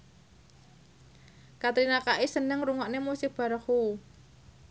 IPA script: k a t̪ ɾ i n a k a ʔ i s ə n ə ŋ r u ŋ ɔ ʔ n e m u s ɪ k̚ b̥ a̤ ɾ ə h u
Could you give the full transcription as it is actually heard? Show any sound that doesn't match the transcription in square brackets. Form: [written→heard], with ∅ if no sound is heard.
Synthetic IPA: k a t̪ ɾ i n a k a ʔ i s ə n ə ŋ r u ŋ ɔ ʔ n e m u s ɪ k̚ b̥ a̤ ɾ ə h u